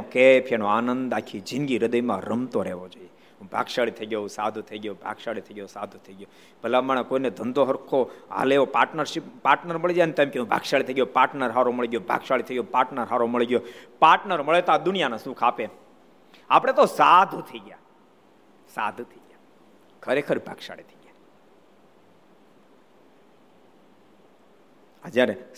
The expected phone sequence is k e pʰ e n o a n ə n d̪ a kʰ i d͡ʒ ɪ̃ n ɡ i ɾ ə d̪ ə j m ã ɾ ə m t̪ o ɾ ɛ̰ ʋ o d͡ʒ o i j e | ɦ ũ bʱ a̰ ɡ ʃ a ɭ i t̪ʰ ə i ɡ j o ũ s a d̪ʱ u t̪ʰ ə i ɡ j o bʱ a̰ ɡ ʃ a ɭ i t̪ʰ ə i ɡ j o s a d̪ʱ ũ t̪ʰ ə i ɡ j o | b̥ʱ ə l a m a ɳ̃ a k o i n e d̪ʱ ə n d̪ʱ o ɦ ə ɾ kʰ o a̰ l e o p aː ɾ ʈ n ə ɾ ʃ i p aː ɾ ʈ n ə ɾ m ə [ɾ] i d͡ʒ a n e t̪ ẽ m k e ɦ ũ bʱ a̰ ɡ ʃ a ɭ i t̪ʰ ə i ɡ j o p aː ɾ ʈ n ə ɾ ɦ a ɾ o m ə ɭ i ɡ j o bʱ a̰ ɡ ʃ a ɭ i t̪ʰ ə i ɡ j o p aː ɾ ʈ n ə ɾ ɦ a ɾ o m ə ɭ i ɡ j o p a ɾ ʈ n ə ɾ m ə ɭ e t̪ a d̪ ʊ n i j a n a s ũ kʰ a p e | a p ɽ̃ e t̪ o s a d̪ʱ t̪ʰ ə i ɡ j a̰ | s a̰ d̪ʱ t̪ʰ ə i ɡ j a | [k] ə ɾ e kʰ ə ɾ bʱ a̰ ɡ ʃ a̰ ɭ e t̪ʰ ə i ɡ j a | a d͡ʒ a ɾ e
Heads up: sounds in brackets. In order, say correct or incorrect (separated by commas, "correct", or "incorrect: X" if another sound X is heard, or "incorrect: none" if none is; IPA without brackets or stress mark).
incorrect: ɭ, incorrect: kʰ